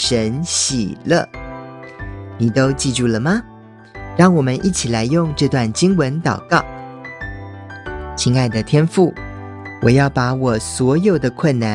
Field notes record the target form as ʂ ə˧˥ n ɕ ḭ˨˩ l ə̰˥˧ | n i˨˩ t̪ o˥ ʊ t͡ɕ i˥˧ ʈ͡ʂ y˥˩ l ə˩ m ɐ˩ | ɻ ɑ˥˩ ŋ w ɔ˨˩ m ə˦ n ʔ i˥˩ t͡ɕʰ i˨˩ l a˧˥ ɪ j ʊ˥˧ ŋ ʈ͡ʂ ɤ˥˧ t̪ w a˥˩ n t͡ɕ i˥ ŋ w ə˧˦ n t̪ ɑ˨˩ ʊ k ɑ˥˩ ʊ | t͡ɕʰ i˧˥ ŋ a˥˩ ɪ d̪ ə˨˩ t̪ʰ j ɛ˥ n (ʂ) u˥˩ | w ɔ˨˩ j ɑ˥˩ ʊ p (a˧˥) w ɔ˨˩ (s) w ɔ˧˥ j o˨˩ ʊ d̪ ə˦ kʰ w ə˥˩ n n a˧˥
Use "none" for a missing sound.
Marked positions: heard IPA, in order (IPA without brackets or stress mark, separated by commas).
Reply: f, a˧˥, s